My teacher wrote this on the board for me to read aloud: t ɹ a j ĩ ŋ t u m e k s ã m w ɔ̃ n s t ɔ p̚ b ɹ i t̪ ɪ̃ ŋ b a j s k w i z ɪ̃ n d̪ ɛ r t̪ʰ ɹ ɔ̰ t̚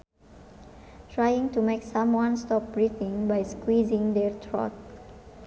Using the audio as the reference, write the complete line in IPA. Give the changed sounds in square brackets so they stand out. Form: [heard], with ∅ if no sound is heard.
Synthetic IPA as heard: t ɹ a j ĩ ŋ t u m e k s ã m w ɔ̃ n s t ɔ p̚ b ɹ i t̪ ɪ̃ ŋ b a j s k w i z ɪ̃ [ŋ] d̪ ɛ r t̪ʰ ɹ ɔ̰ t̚